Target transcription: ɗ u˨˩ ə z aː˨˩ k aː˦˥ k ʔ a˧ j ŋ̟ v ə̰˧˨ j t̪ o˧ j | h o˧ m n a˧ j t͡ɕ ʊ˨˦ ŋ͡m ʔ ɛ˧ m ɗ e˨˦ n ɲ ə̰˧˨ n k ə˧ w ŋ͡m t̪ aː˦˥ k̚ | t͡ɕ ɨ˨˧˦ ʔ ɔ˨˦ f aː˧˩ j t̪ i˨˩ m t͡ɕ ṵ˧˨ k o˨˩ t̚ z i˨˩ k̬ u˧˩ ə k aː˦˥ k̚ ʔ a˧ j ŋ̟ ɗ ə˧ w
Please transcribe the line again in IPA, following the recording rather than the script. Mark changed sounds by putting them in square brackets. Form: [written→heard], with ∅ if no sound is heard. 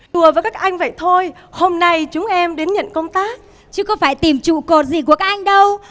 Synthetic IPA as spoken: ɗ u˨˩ ə [z→v] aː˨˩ k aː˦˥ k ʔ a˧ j ŋ̟ v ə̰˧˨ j [t̪→t̪ʰ] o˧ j | h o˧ m n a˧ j t͡ɕ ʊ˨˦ ŋ͡m ʔ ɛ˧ m ɗ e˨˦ n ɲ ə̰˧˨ n k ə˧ w ŋ͡m t̪ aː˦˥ k̚ | t͡ɕ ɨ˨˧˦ [ʔ→k] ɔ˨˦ f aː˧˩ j t̪ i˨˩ m t͡ɕ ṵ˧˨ k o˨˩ t̚ z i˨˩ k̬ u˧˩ ə k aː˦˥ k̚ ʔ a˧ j ŋ̟ ɗ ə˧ w